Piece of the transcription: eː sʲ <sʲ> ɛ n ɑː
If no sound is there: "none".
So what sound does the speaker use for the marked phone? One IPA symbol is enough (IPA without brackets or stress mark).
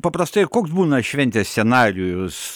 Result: sʲ